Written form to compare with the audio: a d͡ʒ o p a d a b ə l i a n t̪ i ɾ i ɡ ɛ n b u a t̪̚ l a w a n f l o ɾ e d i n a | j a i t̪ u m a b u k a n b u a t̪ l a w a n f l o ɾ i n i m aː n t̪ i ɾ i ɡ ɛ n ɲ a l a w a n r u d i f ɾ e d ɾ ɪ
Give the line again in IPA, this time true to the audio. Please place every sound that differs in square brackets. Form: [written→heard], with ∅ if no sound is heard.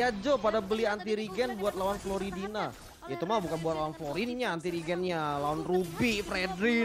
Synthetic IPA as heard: a d͡ʒ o p a d a b ə l i a n t̪ i ɾ i ɡ ɛ n b u a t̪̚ l a w a n f l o ɾ [e→i] d i n a | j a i t̪ u m a b u k a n b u a t̪ l a w a n f l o ɾ i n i [m→ɲ] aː n t̪ i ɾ i ɡ ɛ n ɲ a l a w a n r u [d→b] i f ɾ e d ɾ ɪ